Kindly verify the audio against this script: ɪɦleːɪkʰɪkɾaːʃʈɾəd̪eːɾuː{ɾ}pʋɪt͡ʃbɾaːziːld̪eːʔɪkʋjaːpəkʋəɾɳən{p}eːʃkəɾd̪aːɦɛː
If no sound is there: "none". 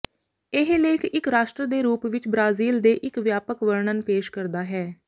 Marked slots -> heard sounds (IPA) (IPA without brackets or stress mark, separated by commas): none, p